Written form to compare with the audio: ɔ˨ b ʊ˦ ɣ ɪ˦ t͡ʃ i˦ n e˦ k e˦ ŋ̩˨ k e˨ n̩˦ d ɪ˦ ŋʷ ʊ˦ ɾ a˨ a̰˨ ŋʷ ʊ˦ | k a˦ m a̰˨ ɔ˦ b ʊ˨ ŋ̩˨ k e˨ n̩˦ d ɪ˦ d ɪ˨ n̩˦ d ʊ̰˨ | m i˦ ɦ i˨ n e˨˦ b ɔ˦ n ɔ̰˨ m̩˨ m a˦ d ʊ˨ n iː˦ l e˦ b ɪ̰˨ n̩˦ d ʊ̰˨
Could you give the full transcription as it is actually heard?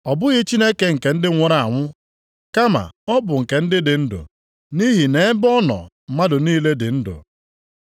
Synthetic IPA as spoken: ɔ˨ b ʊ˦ ɣ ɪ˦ t͡ʃ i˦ n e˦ k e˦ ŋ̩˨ k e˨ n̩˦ d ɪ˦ ŋʷ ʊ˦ ɾ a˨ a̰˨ ŋʷ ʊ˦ | k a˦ m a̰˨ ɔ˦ b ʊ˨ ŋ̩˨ k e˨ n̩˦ d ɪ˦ d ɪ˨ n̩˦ d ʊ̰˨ | n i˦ ɦ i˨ n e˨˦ b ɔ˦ n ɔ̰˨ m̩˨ m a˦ d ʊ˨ n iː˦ l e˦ d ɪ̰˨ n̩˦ d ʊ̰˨